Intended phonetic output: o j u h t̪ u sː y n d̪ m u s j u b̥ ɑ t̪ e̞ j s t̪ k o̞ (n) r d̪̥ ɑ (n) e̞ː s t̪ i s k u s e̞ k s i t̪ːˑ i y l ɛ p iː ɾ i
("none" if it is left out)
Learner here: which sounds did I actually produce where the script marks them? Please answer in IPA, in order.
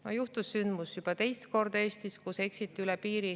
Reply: none, none

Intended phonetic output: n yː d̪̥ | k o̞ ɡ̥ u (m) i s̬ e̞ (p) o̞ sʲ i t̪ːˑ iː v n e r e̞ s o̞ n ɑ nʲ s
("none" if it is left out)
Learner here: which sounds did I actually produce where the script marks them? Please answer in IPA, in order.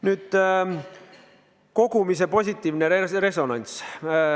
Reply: m, p

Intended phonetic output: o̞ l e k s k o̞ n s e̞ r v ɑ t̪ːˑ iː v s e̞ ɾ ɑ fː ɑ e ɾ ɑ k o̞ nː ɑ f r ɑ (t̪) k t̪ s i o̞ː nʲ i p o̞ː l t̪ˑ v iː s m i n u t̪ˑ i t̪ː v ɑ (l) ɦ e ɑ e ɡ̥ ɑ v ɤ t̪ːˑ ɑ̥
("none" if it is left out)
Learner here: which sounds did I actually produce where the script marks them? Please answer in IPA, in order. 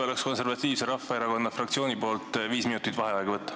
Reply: none, none

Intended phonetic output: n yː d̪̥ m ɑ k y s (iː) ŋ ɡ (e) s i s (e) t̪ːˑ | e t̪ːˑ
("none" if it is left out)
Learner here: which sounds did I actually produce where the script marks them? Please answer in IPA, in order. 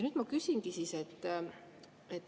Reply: i, i, e

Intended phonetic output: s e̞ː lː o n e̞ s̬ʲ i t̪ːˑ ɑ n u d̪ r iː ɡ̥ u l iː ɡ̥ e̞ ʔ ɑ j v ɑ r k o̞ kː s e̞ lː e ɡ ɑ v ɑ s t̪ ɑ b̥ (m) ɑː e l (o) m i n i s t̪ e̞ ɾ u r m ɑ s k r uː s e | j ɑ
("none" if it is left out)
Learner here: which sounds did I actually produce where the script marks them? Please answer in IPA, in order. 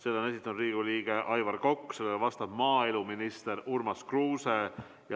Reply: m, u

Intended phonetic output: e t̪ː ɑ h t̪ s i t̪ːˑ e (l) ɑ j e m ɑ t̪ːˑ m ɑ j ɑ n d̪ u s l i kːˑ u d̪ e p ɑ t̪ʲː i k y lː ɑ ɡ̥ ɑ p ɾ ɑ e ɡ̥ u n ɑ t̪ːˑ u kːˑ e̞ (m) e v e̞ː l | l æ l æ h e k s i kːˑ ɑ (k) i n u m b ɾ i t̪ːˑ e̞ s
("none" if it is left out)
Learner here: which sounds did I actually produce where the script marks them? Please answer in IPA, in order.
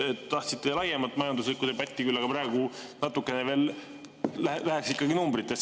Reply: l, n, ɡ

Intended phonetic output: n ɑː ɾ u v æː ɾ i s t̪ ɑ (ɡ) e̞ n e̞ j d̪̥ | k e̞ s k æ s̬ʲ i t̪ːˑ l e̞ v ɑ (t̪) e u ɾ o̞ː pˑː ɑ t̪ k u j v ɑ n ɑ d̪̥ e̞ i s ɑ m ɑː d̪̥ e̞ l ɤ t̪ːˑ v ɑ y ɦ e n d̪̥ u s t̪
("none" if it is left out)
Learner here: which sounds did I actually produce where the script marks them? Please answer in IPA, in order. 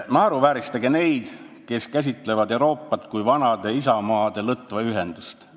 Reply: ɡ, d̪

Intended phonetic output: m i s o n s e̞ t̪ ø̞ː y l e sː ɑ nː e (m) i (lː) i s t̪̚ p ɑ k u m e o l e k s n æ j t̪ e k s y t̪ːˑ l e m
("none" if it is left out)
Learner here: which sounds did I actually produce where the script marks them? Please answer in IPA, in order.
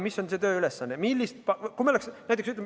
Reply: m, lː

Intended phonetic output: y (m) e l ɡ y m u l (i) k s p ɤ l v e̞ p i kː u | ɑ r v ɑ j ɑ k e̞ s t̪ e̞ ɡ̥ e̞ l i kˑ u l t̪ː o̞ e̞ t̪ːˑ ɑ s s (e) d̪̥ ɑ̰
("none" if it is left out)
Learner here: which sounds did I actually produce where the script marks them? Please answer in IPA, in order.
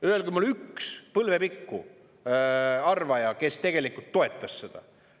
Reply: none, y, e

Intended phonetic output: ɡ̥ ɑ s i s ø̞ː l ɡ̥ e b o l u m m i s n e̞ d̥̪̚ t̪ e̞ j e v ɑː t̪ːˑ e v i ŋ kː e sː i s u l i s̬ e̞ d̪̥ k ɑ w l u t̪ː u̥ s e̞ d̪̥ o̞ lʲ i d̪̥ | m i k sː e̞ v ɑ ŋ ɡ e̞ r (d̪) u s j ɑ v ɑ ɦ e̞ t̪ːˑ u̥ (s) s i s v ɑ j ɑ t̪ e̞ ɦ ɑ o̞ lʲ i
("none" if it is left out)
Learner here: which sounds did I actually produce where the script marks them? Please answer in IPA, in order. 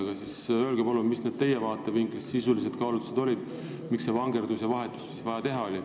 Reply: d̪, s

